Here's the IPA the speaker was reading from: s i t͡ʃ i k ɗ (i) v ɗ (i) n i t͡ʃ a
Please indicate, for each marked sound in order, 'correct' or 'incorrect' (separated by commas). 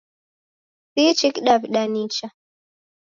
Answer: incorrect, incorrect